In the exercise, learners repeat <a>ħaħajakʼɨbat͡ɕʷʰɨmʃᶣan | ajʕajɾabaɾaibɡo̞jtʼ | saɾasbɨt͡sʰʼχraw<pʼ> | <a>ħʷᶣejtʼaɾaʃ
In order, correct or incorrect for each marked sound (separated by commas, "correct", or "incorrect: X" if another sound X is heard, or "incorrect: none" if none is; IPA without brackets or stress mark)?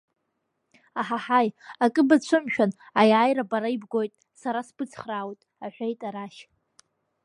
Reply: correct, incorrect: tʼ, correct